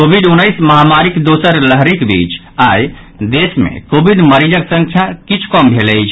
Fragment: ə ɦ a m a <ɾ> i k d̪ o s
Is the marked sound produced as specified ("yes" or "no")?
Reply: yes